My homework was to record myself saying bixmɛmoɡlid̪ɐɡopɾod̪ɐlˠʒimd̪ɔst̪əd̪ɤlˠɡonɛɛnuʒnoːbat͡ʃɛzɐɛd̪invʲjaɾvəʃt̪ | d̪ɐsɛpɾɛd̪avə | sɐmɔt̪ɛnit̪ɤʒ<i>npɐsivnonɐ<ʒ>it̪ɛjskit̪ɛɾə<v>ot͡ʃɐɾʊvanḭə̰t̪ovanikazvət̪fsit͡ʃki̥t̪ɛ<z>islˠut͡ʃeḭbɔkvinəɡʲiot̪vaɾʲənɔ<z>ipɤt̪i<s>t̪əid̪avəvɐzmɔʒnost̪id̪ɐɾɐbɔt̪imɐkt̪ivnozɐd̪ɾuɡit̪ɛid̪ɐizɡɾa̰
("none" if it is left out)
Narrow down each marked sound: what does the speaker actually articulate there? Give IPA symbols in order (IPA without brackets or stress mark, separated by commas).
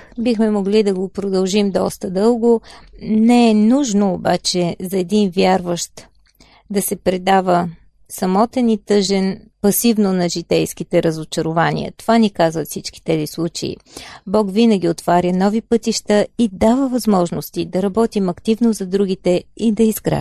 ɛ, ʒ, z, z, v, ʃ